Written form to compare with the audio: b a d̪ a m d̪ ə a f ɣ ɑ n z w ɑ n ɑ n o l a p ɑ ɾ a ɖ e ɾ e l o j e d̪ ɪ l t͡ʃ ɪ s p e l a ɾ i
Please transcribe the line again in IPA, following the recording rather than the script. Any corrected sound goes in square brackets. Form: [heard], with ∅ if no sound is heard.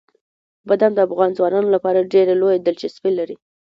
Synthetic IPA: b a d̪ a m d̪ ə a f ɣ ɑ n z w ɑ n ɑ n o l a p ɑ ɾ a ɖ e ɾ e l o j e d̪ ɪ l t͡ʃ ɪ s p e l a ɾ i